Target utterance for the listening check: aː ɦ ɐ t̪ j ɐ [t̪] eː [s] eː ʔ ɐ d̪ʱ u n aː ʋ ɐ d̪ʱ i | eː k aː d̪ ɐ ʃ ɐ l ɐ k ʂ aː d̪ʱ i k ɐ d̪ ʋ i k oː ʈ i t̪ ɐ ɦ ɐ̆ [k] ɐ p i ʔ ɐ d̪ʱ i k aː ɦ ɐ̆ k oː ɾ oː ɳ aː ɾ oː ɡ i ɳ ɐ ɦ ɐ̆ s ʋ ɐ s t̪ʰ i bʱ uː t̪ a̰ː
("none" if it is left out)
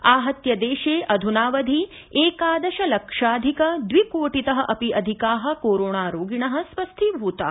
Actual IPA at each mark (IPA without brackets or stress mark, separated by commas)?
d̪, ʃ, ʔ